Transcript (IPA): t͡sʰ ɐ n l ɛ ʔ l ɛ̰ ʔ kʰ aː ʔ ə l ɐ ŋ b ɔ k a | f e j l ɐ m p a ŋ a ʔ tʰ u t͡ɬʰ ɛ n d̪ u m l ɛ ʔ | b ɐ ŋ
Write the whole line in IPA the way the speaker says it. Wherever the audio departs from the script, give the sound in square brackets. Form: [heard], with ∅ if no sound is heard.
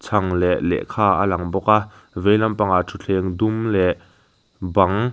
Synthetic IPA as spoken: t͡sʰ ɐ [ŋ] l ɛ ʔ l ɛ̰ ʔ kʰ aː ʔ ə l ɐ ŋ b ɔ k a | [v] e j l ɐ m p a ŋ a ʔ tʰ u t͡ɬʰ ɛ [ŋ] d̪ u m l ɛ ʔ | b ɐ ŋ

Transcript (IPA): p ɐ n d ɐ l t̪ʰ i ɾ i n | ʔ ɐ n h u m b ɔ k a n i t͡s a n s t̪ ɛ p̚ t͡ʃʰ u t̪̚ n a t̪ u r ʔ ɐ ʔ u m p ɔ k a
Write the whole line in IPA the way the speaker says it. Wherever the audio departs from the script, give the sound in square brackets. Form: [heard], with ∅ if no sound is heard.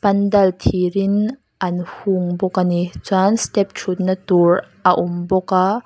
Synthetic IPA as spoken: p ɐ n d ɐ l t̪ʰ i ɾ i n | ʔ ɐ n h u [ŋ] b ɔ k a n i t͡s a n s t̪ ɛ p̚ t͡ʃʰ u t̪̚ n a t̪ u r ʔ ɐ ʔ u m [b] ɔ k a

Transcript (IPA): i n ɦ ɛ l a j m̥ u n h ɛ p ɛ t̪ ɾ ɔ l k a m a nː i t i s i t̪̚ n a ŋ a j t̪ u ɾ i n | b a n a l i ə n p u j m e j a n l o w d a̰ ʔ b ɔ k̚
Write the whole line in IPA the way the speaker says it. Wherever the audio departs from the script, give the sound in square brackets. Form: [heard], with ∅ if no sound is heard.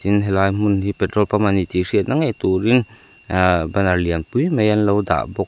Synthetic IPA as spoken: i n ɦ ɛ l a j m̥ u n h [i] p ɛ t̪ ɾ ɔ l [p] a m a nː i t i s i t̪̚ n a ŋ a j t̪ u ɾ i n | b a n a l i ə n p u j m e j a n l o w d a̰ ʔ b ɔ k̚

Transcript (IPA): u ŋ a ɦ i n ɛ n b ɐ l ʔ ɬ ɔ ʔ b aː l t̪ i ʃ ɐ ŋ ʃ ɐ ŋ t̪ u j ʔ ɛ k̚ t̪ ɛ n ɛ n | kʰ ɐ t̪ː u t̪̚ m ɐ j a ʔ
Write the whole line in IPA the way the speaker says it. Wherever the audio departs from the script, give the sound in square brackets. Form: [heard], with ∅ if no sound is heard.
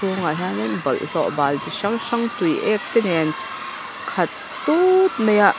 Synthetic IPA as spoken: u ŋ a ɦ [a] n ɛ n b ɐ l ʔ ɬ ɔ ʔ b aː l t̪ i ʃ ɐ ŋ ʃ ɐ ŋ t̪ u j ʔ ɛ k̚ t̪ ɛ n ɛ n | kʰ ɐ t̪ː u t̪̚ m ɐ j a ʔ

